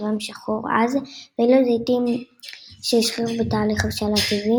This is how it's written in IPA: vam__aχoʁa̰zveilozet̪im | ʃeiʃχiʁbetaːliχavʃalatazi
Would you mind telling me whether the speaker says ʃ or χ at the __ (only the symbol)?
ʃ